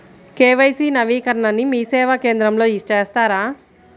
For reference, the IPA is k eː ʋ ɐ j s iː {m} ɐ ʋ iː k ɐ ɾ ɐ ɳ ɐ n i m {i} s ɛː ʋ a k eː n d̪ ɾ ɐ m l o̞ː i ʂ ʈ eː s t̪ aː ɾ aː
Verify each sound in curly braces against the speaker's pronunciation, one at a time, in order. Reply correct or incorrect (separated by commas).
incorrect, incorrect